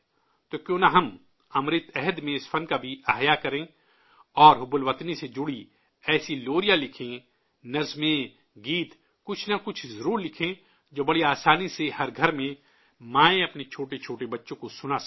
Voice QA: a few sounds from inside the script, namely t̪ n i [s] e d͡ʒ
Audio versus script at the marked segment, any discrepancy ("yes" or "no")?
no